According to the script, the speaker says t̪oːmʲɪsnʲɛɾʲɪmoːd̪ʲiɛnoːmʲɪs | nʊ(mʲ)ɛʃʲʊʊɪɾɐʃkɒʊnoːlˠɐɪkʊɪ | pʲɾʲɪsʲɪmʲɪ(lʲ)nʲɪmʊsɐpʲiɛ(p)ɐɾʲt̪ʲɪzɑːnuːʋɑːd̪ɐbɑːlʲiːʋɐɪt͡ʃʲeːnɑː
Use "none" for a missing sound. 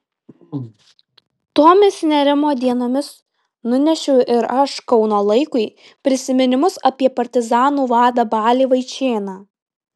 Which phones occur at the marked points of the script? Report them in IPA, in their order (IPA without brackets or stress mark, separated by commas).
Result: nʲ, none, p